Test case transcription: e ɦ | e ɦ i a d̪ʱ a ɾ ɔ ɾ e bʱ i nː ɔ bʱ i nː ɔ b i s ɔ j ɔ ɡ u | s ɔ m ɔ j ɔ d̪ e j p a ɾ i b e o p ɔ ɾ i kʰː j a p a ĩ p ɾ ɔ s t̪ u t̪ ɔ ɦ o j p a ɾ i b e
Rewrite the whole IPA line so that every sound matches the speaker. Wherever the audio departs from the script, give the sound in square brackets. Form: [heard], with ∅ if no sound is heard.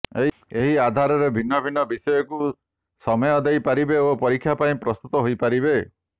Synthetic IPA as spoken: e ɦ | e ɦ i a d̪ʱ a ɾ ɔ ɾ e bʱ i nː ɔ bʱ i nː ɔ b i s ɔ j ɔ [k] u | s ɔ m ɔ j ɔ d̪ e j p a ɾ i b e o p ɔ ɾ i kʰː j a p a ĩ p ɾ ɔ s t̪ u t̪ ɔ ɦ o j p a ɾ i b e